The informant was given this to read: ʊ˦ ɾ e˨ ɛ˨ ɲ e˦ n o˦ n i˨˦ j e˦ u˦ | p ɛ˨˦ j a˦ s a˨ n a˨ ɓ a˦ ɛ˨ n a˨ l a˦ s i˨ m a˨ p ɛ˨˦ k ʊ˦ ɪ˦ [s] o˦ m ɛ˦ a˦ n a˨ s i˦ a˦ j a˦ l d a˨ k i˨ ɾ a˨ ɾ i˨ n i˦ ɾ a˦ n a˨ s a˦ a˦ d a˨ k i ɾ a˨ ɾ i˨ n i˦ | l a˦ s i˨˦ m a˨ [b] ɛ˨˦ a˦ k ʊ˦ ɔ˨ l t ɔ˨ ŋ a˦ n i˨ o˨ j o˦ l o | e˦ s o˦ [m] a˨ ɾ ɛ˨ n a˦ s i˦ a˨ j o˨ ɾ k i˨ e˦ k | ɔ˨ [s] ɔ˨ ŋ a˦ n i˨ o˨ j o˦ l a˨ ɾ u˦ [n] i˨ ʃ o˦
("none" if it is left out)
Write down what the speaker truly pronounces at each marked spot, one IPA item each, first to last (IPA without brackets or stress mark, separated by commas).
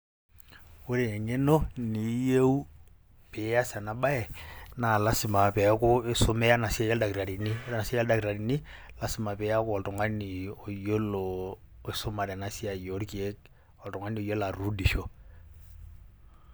s, p, m, t, d